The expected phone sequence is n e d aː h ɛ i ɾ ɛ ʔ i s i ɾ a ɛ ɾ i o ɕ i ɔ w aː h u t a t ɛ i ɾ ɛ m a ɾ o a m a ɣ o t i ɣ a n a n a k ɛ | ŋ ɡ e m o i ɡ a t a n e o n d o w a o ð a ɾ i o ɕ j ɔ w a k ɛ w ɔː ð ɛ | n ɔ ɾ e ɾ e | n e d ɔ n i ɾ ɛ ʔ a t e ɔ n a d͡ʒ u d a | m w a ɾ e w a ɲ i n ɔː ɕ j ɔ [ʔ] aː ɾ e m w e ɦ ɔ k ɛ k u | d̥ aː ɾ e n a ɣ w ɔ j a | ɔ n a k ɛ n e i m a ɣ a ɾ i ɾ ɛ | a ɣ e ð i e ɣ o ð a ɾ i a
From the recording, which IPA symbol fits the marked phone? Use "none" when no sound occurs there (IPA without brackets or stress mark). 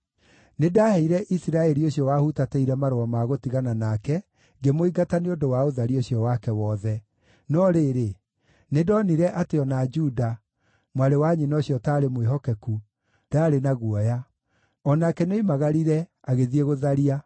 t